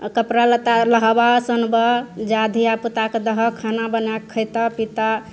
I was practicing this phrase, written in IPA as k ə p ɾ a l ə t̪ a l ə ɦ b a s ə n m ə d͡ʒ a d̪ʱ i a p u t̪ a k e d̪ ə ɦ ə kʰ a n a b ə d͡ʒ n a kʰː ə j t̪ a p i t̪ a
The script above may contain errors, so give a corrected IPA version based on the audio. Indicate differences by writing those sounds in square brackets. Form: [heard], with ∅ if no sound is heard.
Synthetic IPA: k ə p ɾ a l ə t̪ a l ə ɦ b a s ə n [b] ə d͡ʒ a d̪ʱ i a p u t̪ a k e d̪ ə ɦ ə kʰ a n a b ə [∅] n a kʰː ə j t̪ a p i t̪ a